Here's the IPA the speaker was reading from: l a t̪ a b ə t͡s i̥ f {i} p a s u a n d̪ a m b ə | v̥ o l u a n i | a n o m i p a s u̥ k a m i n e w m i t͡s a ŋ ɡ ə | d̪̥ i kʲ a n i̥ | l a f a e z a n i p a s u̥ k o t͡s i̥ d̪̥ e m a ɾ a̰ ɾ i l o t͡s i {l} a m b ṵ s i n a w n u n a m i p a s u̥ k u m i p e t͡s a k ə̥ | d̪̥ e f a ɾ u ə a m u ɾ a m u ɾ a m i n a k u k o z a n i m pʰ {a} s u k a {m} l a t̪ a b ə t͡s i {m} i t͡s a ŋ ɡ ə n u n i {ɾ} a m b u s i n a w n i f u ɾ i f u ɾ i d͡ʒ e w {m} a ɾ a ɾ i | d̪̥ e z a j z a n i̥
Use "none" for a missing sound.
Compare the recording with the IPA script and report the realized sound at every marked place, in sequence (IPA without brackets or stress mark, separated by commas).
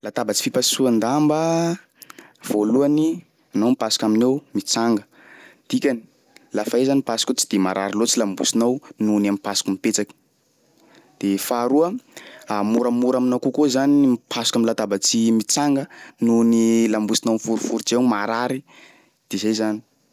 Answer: i, l, a, m, m, l, m